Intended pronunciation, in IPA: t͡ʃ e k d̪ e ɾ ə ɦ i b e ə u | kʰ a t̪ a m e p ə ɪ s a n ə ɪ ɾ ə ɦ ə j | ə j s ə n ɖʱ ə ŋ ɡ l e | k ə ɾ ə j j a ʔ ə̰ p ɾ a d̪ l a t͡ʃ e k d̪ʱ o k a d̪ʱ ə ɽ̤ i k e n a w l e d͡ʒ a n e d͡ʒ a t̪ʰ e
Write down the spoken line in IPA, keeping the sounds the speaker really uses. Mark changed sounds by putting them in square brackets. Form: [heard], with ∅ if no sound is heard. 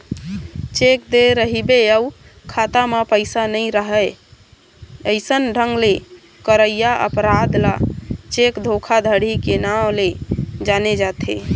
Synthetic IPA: t͡ʃ e k d̪ e ɾ ə ɦ i b e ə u | kʰ a t̪ a m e p ə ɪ s a n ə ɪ ɾ ə ɦ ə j | ə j s ə n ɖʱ ə ŋ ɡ l e | k ə ɾ ə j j a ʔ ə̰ p ɾ a d̪ l a t͡ʃ e k d̪ʱ o [kʰ] a d̪ʱ ə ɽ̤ i k e n a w l e d͡ʒ a n e d͡ʒ a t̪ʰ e